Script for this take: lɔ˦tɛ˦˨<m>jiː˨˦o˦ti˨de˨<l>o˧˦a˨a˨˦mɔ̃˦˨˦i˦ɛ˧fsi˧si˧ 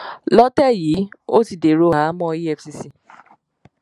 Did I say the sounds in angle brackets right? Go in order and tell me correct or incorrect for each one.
incorrect, incorrect

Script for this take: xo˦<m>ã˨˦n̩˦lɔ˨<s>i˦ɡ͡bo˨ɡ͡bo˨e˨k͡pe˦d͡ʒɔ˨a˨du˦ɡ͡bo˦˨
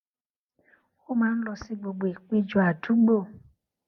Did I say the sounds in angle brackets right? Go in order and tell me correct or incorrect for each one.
correct, correct

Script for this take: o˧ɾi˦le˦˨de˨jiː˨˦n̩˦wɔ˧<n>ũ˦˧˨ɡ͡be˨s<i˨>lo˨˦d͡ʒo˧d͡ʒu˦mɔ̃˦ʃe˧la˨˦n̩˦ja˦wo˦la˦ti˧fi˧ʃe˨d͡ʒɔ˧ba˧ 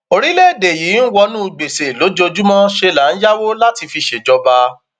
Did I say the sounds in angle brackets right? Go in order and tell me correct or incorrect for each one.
correct, incorrect

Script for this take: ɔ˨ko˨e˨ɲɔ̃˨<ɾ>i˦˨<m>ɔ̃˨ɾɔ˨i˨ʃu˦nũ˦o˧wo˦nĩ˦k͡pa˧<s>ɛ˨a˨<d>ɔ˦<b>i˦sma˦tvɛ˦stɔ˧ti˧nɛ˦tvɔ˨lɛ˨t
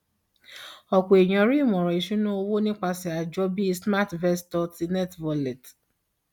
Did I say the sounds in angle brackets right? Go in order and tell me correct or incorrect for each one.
correct, correct, correct, incorrect, correct

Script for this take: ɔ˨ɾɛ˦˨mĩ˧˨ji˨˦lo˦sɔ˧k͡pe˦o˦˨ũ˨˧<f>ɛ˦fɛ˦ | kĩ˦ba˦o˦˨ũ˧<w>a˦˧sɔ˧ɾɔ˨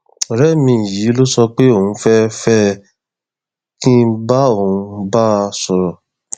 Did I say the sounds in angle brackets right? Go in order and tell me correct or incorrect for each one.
correct, incorrect

